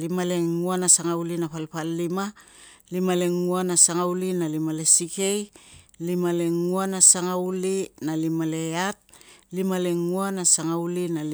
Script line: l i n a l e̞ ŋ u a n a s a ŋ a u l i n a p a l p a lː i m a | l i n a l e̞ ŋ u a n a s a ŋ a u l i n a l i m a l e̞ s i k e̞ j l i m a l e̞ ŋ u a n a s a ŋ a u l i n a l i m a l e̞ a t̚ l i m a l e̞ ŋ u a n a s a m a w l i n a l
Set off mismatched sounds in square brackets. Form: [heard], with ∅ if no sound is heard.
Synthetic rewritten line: l i [m] a l e̞ ŋ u a n a s a ŋ a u l i n a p a l p a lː i m a | l i [m] a l e̞ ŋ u a n a s a ŋ a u l i n a l i m a l e̞ s i k e̞ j l i m a l e̞ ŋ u a n a s a ŋ a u l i n a l i m a l e̞ a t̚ l i m a l e̞ ŋ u a n a s a [ŋ] a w l i n a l